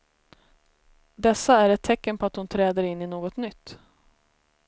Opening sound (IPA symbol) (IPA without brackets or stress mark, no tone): d̪